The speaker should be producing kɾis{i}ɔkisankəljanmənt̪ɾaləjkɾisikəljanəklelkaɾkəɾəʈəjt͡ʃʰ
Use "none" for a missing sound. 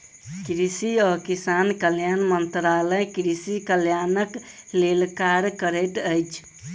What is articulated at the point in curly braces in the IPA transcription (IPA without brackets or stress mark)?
i